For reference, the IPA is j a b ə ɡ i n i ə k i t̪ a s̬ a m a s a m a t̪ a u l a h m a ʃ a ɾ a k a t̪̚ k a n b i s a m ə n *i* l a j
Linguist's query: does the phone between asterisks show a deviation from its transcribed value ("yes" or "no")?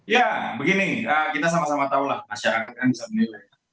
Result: no